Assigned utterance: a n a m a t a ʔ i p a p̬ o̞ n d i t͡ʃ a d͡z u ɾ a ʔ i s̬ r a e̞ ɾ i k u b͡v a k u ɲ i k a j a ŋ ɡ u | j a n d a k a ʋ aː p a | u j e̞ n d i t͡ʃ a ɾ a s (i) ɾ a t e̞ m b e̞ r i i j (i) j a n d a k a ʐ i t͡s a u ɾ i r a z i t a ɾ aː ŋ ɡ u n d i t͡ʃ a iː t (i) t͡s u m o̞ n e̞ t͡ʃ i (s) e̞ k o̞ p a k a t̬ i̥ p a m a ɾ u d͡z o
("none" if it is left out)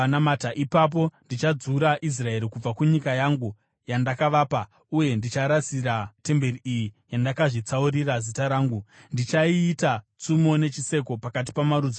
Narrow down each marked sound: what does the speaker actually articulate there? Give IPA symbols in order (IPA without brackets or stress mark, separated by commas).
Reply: i, i, a, s